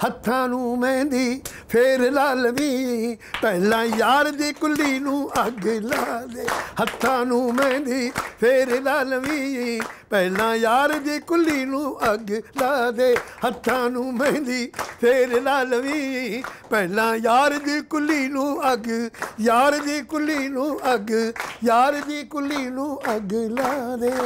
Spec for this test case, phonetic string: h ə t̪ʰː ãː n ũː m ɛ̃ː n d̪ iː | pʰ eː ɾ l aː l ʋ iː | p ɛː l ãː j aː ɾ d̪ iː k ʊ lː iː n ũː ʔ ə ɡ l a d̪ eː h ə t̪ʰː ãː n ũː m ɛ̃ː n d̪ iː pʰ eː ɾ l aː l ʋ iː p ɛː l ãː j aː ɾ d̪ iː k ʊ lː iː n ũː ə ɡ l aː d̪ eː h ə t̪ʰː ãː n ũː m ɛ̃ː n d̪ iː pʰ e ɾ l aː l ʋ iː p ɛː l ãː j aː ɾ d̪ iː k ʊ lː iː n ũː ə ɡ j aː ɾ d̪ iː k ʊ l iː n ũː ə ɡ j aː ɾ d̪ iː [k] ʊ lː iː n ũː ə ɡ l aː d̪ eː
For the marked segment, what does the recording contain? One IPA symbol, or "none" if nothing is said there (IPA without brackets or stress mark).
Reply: k